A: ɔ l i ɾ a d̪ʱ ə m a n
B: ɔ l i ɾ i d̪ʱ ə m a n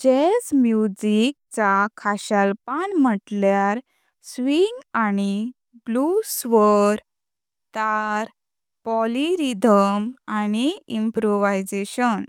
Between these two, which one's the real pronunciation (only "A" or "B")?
B